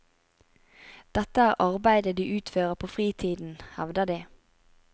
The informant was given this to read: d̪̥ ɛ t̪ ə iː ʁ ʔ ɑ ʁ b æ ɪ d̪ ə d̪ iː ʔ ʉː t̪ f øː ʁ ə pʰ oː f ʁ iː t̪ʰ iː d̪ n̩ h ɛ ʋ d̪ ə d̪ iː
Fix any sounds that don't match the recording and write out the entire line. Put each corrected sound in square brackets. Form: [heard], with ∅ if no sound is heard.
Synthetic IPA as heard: d̪̥ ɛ t̪ ə [æː] ʁ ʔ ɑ ʁ b æ ɪ d̪ ə d̪ iː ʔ ʉː t̪ f øː ʁ ə pʰ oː f ʁ iː t̪ʰ iː d̪ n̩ h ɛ ʋ d̪ ə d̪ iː